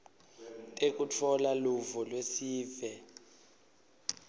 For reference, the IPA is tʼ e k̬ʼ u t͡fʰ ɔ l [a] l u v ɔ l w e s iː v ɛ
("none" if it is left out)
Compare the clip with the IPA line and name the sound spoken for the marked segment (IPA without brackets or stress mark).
a